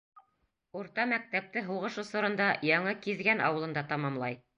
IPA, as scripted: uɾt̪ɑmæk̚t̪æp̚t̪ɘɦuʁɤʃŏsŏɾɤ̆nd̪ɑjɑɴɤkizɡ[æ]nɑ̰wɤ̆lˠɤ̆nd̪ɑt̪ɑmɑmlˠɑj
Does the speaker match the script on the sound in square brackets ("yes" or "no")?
yes